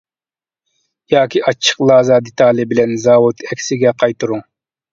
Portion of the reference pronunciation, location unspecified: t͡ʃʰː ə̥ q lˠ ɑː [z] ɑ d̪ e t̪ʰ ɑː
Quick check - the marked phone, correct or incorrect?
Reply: correct